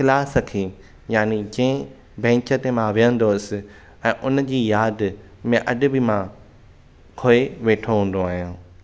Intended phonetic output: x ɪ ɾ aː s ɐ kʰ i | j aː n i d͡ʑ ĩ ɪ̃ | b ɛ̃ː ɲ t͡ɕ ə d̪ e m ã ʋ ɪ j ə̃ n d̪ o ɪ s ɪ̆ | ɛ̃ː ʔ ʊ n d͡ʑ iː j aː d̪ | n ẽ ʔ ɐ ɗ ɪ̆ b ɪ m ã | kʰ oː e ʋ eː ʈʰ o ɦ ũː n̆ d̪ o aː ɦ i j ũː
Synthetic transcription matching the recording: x ɪ l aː s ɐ kʰ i | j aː n i d͡ʑ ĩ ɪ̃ | b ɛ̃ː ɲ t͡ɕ ə t̪ e m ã ʋ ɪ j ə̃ n d̪ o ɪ s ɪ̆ | ɛ̃ː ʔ ʊ n d͡ʑ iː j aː d̪ | m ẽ ʔ ɐ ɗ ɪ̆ b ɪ m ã | kʰ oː e ʋ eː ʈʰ o ɦ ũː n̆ d̪ o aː ɦ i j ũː